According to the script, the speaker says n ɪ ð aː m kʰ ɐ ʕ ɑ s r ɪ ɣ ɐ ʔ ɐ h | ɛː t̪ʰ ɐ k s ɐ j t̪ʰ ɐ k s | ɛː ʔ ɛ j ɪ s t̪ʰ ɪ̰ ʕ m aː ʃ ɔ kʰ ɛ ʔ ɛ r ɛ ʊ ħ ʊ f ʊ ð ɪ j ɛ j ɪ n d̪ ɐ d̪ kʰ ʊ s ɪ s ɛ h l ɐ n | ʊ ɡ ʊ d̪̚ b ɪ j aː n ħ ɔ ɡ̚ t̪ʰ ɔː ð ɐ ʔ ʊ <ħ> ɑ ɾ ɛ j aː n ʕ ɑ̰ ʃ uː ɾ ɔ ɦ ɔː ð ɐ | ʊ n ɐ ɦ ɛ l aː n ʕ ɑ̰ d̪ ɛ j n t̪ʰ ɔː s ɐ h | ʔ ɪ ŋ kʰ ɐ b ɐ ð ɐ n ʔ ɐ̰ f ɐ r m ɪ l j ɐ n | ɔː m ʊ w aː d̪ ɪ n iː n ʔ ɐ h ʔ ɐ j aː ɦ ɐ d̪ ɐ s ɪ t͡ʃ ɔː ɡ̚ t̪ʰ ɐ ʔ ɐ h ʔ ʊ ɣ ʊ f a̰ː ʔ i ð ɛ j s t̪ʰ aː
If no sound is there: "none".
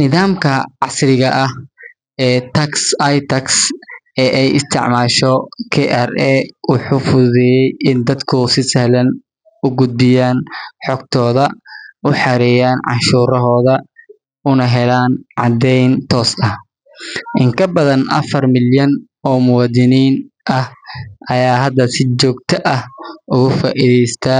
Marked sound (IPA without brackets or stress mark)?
ħ